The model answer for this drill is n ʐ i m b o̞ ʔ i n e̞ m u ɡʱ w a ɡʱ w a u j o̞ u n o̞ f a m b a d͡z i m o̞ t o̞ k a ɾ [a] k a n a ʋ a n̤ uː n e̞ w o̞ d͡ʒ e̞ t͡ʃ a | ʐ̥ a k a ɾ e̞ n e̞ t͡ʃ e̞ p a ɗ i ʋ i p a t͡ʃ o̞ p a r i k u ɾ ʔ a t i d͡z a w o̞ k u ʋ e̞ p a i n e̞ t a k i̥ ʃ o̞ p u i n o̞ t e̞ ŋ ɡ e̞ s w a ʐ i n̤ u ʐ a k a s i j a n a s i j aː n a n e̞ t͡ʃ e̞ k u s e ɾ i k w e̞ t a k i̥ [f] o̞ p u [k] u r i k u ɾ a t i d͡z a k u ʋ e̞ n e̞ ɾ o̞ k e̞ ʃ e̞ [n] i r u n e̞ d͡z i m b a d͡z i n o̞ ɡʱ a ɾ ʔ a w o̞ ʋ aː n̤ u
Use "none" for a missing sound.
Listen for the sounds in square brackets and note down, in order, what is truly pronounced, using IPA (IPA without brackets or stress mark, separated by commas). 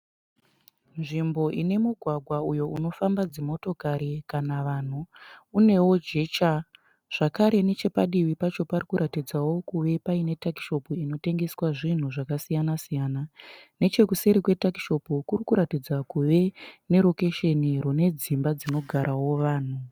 i, ʃ, k, n